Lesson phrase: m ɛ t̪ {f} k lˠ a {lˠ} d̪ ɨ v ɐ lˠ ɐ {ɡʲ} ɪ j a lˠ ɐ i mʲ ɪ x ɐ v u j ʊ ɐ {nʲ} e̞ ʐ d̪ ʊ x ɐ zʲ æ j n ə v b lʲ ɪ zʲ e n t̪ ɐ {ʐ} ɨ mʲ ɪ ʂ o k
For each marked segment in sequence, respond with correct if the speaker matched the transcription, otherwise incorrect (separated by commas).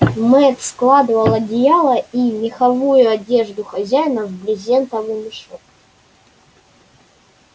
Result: incorrect, incorrect, incorrect, incorrect, incorrect